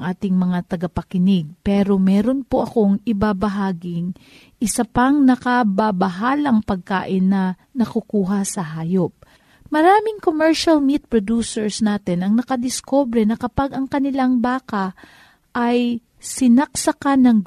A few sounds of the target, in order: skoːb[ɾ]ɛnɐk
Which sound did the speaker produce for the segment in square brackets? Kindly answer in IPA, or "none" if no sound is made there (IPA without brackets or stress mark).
ɾ